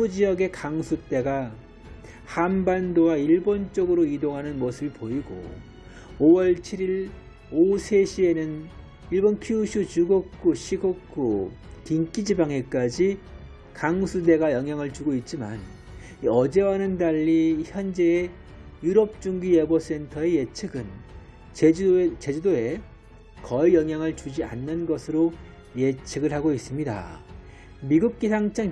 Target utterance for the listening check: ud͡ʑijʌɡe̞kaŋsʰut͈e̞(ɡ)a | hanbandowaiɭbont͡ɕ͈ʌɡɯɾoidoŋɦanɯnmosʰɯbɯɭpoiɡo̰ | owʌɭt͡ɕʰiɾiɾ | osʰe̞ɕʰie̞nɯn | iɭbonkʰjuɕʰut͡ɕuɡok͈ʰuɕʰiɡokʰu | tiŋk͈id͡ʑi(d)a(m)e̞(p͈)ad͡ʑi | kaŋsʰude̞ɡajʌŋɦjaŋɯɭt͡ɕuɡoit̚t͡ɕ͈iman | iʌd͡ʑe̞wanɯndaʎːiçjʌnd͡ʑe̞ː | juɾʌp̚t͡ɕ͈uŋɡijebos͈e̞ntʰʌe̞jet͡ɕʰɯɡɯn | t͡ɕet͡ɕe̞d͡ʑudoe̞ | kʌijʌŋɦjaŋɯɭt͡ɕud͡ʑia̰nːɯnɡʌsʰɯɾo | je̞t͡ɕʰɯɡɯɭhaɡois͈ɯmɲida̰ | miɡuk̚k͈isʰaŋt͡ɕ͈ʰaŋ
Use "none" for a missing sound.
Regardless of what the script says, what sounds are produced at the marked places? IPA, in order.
ɡ, b, ŋ, k͈

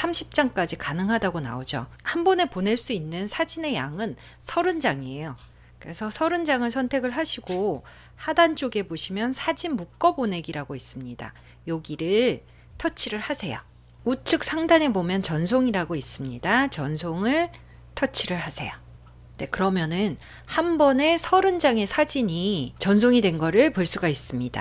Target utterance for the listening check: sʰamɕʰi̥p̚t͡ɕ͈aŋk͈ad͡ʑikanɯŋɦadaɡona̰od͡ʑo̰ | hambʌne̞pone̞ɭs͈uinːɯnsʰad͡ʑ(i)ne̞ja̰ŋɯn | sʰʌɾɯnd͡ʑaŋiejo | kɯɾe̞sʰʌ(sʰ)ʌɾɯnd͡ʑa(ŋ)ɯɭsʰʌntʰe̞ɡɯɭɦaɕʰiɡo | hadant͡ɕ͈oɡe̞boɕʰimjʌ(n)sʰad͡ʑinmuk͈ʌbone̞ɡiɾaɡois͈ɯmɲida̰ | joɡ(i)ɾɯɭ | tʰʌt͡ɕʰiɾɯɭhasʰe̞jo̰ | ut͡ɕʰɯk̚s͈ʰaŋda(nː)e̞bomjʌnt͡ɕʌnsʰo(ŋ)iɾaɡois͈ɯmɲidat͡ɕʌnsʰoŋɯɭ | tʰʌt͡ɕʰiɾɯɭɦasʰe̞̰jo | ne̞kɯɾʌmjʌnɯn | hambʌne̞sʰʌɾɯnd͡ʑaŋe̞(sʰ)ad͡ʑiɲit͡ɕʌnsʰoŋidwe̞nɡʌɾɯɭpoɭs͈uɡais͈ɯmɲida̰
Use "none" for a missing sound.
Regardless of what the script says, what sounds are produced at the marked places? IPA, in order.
i, sʰ, ŋ, n, i, n, ŋ, sʰ

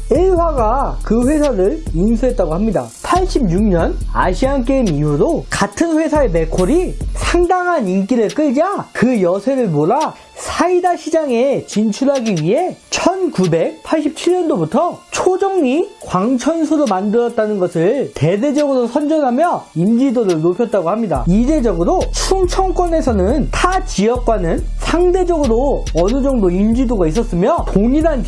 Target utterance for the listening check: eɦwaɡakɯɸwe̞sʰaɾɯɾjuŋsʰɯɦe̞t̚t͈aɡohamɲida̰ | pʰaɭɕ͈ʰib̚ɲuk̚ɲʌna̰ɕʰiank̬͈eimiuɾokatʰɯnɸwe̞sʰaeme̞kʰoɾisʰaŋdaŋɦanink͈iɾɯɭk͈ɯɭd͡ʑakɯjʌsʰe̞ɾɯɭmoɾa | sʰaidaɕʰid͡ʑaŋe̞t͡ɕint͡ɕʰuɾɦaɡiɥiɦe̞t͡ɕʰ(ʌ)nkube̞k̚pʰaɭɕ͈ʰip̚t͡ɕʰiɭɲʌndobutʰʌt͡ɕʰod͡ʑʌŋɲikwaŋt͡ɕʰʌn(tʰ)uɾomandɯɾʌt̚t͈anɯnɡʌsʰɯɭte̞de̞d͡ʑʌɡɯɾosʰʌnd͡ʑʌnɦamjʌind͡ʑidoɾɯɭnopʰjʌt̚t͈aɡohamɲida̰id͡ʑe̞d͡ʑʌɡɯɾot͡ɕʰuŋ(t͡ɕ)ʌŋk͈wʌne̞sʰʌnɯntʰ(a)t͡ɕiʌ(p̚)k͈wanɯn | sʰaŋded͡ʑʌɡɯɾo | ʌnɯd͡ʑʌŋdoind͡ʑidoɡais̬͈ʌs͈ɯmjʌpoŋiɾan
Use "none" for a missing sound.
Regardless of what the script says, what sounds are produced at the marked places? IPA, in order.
ʌ, sʰ, t͡ɕʰ, a, k̚

